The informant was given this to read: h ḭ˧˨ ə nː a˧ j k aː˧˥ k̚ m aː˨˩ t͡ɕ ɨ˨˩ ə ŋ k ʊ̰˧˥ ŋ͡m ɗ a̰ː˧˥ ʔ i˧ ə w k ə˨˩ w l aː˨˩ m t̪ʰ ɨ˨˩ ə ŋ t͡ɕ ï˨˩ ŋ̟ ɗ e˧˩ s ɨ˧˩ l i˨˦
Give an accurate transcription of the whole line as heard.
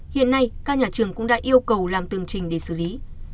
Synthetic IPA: h ḭ˧˨ ə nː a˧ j k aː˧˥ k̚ ɲ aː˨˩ t͡ɕ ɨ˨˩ ə ŋ k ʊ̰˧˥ ŋ͡m ɗ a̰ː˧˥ ʔ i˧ ə w k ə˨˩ w l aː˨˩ m t̪ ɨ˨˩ ə ŋ t͡ɕ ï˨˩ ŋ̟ ɗ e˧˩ s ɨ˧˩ l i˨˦